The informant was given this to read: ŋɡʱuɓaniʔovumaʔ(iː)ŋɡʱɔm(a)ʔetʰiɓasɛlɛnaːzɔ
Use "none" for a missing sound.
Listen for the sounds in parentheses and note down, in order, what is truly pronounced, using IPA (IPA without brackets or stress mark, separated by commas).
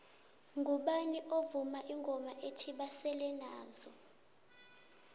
i, a